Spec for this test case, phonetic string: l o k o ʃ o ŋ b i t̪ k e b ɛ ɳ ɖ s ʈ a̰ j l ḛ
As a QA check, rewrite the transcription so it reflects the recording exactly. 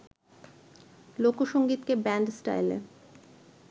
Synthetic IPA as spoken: l o k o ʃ o ŋ ɡ i t̪ k e b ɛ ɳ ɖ s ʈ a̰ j l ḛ